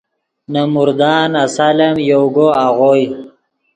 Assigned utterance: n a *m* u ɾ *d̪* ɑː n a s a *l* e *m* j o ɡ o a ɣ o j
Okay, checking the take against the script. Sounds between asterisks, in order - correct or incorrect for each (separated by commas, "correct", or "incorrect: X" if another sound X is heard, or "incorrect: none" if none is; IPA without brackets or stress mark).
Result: correct, correct, correct, correct